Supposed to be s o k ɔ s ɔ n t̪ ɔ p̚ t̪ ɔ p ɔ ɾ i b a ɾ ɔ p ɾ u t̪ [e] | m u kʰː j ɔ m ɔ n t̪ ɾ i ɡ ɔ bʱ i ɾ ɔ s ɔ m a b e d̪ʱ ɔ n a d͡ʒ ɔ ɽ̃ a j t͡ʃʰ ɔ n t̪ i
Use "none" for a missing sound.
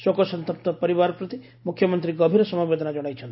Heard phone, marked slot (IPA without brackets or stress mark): i